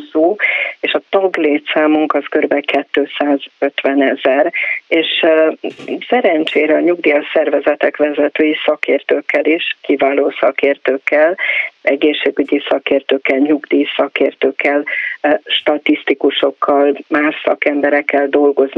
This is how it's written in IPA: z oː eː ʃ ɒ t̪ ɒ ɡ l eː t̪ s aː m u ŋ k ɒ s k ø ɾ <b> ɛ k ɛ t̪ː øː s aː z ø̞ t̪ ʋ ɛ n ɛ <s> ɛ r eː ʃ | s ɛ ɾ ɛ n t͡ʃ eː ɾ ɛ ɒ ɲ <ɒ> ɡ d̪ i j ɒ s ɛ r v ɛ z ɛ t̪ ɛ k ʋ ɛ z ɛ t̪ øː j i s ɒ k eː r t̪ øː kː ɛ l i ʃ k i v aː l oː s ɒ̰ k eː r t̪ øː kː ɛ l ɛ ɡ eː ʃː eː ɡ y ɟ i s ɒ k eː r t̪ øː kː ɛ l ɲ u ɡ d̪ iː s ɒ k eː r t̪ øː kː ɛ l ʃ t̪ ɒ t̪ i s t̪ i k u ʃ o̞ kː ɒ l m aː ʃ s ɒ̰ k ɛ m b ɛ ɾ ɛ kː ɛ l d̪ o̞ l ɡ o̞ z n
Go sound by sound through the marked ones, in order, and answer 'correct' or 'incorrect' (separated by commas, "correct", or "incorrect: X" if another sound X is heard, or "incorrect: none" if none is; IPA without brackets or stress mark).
correct, incorrect: z, incorrect: u